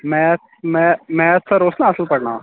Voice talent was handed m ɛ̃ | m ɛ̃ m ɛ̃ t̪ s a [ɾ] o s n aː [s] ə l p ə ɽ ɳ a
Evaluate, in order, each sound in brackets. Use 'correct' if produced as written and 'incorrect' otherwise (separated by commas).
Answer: correct, correct